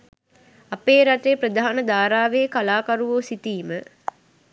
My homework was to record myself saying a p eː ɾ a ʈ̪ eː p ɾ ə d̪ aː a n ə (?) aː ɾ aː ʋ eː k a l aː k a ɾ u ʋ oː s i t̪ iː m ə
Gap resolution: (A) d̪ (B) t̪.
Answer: A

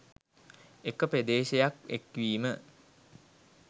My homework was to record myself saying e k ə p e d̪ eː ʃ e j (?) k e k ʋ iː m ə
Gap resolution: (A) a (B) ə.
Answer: A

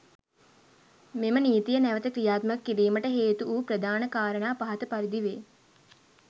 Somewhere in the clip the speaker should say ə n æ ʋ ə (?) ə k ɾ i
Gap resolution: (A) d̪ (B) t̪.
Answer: B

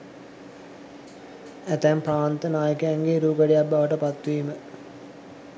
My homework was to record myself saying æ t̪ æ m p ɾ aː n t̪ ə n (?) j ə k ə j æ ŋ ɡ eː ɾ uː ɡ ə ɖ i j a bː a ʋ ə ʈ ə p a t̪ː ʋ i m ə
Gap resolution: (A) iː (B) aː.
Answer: B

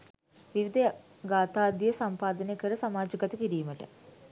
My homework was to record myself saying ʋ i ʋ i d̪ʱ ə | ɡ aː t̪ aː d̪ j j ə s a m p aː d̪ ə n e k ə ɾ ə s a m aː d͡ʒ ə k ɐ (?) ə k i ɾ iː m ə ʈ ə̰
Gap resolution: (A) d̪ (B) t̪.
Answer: B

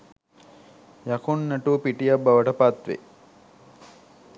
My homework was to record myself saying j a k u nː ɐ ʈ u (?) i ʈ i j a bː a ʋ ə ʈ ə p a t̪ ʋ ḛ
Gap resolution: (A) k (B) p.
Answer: B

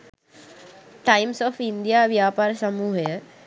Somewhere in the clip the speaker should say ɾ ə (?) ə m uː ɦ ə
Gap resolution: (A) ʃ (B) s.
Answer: B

